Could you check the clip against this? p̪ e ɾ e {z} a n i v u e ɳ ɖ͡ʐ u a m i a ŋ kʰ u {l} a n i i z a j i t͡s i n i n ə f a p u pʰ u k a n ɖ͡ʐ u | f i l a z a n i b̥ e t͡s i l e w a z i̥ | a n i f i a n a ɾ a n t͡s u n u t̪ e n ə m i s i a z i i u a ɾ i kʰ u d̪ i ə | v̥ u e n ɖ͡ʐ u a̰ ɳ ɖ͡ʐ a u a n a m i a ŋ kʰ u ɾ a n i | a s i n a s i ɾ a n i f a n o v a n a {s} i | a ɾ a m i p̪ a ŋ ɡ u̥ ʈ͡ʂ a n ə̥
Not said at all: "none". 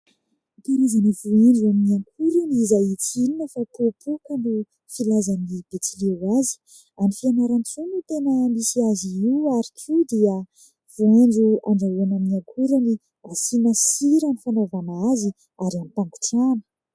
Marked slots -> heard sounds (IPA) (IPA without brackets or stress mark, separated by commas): z, ɾ, z